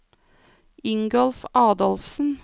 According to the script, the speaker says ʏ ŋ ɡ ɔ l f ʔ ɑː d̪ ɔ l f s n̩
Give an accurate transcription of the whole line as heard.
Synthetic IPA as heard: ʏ ŋ ɡ ɔ l f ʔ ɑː d̪ ɔ l f s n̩